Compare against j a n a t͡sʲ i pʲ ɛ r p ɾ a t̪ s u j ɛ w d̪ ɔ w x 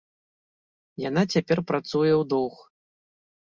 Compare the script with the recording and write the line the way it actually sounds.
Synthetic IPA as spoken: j a n a t͡sʲ a pʲ ɛ r p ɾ a t̪ s u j ɛ w d̪ ɔ w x